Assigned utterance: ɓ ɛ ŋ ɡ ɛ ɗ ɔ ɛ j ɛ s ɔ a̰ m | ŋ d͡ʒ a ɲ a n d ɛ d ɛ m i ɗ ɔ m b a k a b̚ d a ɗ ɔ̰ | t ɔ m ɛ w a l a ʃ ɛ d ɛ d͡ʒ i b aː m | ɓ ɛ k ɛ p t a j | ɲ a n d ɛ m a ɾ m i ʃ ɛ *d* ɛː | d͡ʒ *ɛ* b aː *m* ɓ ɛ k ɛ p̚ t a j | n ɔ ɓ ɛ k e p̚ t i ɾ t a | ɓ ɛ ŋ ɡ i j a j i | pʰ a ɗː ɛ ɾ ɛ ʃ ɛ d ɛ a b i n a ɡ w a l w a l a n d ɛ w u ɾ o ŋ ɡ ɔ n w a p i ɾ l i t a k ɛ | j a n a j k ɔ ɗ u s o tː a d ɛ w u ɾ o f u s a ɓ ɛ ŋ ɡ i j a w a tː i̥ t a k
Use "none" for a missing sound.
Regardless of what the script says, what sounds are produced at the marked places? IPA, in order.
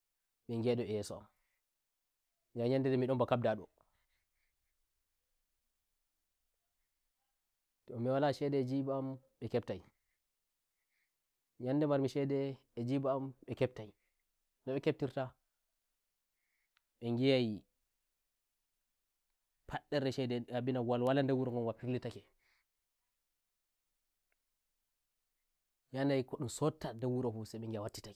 d, i, m

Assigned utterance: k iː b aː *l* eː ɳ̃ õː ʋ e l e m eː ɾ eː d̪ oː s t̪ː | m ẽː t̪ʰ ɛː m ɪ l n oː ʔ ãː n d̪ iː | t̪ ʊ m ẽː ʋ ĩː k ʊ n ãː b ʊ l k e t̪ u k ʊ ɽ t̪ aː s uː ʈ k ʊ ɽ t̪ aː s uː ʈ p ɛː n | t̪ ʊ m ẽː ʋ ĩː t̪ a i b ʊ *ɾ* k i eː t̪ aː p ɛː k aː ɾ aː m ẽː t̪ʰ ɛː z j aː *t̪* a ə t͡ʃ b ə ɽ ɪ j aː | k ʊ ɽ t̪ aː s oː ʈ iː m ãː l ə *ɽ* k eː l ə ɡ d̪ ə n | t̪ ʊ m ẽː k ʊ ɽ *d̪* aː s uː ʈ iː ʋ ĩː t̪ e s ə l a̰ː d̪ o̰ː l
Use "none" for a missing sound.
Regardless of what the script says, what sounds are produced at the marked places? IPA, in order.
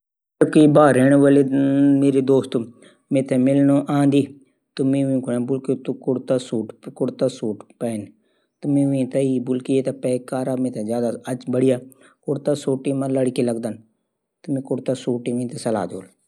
ɾ, l, d̪, ɽ, t̪

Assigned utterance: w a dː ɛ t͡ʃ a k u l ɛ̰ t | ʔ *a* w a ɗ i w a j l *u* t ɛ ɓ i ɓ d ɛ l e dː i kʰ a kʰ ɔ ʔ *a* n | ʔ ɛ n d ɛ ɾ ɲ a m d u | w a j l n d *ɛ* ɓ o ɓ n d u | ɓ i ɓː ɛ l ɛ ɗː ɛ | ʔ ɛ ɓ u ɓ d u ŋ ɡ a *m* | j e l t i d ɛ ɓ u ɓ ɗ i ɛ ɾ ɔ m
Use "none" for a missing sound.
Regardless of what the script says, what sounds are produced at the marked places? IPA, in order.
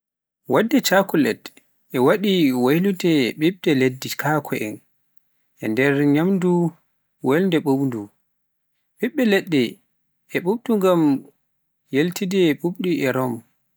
ɛ, u, ɛ, ɛ, m

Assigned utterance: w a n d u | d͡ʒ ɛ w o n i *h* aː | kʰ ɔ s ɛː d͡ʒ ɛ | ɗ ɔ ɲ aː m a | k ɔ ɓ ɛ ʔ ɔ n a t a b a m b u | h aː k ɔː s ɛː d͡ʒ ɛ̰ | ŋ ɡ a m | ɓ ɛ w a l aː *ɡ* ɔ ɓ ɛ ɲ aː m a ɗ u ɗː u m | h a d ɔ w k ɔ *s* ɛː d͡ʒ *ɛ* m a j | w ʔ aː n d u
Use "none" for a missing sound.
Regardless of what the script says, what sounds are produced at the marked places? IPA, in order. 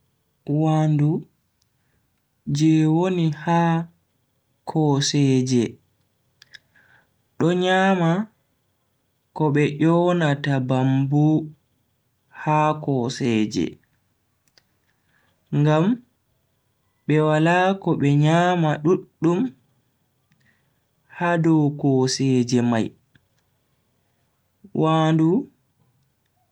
h, k, s, ɛ

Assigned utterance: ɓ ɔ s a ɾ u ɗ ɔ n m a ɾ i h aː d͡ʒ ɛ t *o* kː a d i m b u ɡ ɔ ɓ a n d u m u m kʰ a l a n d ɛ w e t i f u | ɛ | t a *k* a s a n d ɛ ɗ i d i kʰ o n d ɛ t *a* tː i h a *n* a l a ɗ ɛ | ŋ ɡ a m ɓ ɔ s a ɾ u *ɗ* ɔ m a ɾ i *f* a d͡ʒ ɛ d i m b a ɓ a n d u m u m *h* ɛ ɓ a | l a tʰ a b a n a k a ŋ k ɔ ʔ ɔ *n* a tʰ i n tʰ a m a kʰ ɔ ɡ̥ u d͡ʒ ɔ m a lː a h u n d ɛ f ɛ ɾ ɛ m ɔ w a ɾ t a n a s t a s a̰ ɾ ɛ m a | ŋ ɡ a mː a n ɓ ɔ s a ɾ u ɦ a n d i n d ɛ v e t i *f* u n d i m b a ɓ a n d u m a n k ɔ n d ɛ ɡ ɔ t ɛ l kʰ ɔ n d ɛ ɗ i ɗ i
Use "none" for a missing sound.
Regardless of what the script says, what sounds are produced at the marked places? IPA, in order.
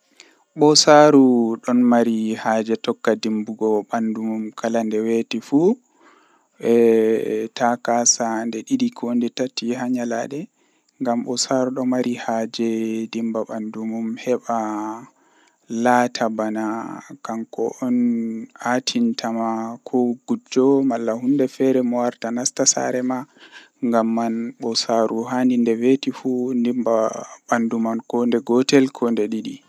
ɔ, k, a, ɲ, ɗ, h, h, n, f

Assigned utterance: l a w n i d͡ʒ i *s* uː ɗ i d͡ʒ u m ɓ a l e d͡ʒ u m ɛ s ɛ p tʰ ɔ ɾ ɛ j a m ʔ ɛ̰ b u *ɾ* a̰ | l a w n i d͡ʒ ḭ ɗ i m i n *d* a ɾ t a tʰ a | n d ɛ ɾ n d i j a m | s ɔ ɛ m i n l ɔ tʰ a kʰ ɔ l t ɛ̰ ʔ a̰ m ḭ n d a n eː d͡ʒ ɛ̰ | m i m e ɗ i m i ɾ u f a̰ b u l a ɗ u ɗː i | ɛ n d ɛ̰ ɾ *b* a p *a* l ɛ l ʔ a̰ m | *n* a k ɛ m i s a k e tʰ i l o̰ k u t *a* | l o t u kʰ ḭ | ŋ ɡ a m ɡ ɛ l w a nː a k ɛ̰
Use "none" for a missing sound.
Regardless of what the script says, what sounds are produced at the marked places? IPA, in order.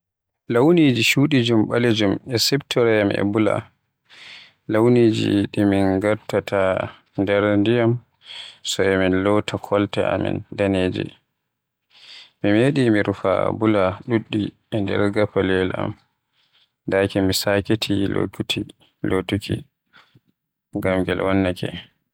ʃ, l, ɡ, ɡ, a, d, i

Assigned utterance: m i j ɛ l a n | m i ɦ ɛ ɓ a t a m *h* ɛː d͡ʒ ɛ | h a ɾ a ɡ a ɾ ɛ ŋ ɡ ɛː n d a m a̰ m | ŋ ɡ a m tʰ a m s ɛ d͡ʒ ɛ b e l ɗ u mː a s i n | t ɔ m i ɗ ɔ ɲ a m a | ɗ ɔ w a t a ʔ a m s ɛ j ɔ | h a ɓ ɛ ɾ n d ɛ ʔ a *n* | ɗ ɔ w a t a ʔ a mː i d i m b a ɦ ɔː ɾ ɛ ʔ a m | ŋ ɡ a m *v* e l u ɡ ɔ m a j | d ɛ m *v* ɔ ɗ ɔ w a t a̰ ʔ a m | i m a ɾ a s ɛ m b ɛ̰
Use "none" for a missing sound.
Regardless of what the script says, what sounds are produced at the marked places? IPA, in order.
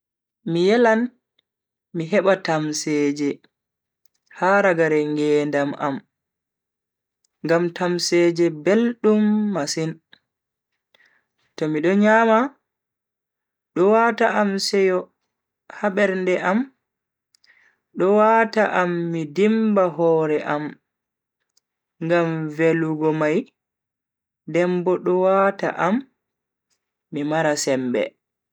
s, m, v, b

